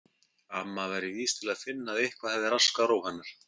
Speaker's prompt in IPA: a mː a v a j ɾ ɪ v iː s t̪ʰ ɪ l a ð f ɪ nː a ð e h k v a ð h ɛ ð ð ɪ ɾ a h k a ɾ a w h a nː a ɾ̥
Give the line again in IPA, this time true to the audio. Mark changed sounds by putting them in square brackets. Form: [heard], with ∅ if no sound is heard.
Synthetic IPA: a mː a v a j ɾ ɪ v iː s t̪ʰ ɪ l a ð f ɪ nː a ð e h k v a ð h ɛ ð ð ɪ ɾ a [s] k a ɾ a w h a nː a ɾ̥